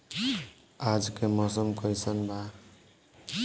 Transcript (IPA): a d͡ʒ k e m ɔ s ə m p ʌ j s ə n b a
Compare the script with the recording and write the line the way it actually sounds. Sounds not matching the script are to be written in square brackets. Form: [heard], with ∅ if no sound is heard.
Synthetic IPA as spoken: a d͡ʒ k e m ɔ s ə m [k] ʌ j s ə n b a

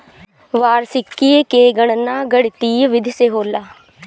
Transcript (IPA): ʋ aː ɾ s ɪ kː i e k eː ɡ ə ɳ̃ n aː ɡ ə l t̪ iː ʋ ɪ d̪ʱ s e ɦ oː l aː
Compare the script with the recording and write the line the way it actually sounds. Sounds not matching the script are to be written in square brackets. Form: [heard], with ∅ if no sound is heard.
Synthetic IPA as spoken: ʋ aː ɾ s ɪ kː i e k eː ɡ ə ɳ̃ n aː ɡ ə [ɽ] t̪ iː ʋ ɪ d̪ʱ s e ɦ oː l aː

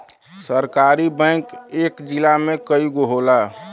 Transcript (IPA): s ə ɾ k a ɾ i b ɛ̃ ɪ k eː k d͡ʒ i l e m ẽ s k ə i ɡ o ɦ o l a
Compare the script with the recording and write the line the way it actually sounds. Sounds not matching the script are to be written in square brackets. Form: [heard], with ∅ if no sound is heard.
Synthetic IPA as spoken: s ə ɾ k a ɾ i b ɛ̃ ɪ k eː k d͡ʒ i l [a] m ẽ [∅] k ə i ɡ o ɦ o l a

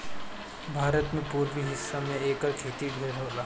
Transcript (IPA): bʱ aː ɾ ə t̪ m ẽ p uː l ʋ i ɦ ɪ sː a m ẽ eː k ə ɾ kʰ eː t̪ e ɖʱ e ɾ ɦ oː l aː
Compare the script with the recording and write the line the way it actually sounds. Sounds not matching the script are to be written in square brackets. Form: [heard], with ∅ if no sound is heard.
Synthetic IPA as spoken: bʱ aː ɾ ə t̪ m ẽ p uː [ɾ] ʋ i ɦ ɪ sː a m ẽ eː k ə ɾ kʰ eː t̪ [i] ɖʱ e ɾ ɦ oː l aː

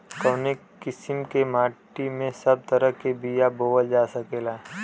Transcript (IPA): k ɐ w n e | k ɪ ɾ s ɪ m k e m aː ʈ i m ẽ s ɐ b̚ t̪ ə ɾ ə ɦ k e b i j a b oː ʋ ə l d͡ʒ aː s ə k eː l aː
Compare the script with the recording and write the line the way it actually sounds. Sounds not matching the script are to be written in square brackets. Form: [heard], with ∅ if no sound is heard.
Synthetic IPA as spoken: k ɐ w n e | k ɪ [∅] s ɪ m k e m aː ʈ i m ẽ s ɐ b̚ t̪ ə ɾ ə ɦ k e b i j a b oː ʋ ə l d͡ʒ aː s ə k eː l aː

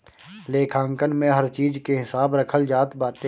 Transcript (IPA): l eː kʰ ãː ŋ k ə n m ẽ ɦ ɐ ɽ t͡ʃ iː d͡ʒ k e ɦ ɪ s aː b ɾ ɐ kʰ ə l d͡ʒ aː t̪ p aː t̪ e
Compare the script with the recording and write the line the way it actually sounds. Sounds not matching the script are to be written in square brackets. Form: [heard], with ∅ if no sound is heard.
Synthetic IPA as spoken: l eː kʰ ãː ŋ k ə n m ẽ ɦ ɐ [ɾ] t͡ʃ iː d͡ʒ k e ɦ ɪ s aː b ɾ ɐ kʰ ə l d͡ʒ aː t̪ [b] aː t̪ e

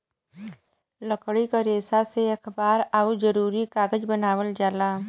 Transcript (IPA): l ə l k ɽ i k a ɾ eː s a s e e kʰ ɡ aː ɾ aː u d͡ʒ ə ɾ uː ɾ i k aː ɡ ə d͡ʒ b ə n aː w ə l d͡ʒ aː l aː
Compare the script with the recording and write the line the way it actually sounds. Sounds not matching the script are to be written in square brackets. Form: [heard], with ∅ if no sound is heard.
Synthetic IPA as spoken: l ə [∅] k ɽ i k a ɾ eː s a s e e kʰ [b] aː ɾ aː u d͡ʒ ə ɾ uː ɾ i k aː ɡ ə d͡ʒ b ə n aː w ə l d͡ʒ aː l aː

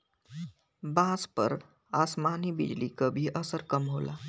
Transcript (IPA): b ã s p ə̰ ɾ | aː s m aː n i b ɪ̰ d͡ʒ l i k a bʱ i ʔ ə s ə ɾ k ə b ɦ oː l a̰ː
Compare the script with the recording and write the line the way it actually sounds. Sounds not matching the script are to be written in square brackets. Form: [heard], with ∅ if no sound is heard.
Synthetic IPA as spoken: b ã s p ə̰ ɾ | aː s m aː n i b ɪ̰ d͡ʒ l i k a bʱ i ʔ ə s ə ɾ k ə [m] ɦ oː l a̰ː

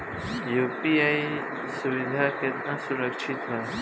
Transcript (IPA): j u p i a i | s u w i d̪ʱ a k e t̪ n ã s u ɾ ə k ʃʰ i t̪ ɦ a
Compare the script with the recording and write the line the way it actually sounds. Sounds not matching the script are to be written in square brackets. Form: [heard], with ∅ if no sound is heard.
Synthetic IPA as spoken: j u p i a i | s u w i d̪ʱ a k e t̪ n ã s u ɾ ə k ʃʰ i t̪ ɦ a

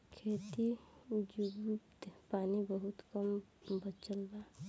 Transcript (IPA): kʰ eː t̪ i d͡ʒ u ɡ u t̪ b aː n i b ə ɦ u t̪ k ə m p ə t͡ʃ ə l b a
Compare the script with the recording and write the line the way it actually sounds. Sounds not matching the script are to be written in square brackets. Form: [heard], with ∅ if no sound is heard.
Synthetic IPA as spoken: kʰ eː t̪ i d͡ʒ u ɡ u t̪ [p] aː n i b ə ɦ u t̪ k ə m [b] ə t͡ʃ ə l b a

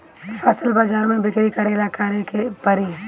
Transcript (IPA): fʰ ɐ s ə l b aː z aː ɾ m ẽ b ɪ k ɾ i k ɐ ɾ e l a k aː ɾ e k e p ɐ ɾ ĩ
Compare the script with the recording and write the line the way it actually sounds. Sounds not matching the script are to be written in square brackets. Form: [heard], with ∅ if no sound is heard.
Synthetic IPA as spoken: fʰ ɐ s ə l b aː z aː ɾ m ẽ b ɪ k ɾ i k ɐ ɾ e l a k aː ɾ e k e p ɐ ɾ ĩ

